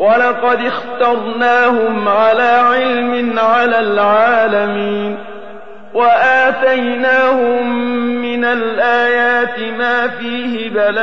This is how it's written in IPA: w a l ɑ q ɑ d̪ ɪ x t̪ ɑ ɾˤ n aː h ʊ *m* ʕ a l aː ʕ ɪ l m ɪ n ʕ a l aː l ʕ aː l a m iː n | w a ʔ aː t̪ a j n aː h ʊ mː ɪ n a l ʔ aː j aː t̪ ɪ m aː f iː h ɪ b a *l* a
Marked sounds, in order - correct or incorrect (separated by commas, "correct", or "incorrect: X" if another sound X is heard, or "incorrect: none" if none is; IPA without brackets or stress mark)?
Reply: correct, correct